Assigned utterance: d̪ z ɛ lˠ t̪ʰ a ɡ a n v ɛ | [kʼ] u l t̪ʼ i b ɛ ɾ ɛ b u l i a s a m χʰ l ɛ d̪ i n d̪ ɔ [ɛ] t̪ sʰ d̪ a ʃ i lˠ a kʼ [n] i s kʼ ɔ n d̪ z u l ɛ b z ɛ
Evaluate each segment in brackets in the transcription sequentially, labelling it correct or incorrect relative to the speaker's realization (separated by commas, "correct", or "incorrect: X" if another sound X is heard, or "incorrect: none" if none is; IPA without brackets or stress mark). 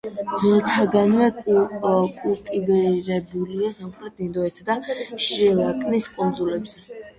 correct, correct, correct